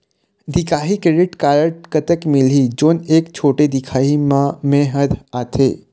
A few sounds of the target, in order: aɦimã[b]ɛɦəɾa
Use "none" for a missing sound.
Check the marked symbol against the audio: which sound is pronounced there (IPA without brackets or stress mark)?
m